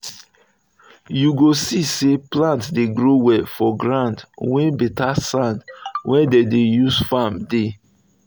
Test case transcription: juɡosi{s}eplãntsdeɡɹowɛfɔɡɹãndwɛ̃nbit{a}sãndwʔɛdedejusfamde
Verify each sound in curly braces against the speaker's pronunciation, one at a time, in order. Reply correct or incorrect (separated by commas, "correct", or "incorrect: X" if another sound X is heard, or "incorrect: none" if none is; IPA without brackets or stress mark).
correct, correct